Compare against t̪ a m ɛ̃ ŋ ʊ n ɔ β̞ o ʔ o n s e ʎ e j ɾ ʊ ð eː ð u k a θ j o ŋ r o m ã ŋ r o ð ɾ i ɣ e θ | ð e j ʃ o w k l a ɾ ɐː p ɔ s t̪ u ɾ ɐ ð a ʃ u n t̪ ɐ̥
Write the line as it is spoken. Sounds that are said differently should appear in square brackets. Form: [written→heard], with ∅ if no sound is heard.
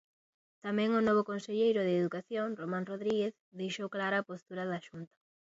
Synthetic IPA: t̪ a m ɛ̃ ŋ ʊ n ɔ β̞ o [ʔ→k] o n s e ʎ e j ɾ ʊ ð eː ð u k a θ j o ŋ r o m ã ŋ r o ð ɾ i ɣ e θ | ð e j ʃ o w k l a ɾ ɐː p [ɔ→o] s t̪ u ɾ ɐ ð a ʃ u n t̪ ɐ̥